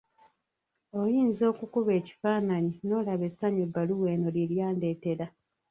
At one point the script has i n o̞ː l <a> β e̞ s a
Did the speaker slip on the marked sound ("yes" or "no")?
no